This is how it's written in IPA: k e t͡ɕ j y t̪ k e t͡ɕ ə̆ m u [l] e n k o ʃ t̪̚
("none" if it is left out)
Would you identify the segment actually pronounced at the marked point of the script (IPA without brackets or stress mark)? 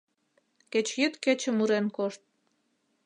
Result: ɾ